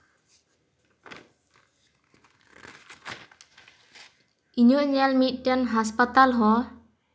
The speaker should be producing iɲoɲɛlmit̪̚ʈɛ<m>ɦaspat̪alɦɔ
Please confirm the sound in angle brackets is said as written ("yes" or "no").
no